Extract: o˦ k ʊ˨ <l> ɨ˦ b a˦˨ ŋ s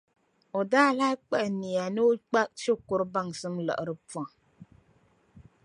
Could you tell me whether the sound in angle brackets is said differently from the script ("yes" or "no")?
yes